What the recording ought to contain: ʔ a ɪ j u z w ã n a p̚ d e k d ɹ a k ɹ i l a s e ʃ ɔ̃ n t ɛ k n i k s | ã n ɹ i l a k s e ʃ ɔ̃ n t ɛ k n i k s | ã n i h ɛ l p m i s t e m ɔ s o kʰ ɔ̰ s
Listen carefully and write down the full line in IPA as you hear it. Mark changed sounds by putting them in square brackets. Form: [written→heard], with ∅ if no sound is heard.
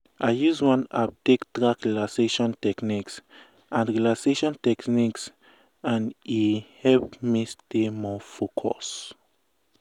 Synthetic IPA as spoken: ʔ a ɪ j u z w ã n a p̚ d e k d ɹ a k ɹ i l a s e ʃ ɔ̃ n t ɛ k n i k s | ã n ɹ i l a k s e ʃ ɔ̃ n t ɛ k n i k s | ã n i h ɛ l p m i s t e m ɔ [s→f] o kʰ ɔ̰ s